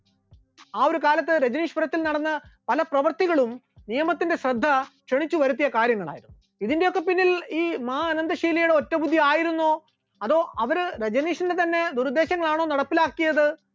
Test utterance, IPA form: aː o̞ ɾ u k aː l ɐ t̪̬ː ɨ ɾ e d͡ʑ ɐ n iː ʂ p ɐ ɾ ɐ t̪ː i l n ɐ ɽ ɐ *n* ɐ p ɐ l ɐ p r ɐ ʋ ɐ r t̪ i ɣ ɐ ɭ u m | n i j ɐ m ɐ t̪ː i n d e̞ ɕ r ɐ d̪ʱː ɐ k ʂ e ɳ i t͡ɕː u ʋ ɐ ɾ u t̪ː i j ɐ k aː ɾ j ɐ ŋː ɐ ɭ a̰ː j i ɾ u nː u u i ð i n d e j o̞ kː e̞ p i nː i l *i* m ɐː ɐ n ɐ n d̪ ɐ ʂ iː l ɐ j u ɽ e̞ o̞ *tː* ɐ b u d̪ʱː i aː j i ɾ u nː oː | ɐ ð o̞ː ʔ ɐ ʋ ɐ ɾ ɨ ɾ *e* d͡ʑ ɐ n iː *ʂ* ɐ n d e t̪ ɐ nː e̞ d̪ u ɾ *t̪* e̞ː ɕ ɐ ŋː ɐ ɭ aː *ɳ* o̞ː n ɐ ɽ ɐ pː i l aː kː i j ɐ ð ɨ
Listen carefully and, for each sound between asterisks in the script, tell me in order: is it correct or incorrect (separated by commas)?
incorrect, incorrect, correct, correct, correct, incorrect, correct